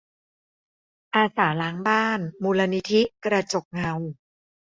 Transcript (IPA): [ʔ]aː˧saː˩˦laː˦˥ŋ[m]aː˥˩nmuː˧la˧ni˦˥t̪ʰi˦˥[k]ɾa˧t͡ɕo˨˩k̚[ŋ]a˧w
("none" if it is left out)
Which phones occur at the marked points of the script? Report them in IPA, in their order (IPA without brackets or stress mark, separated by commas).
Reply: ʔ, b, k, ŋ